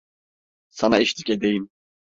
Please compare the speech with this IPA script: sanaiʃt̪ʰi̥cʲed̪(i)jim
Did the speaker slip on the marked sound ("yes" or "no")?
yes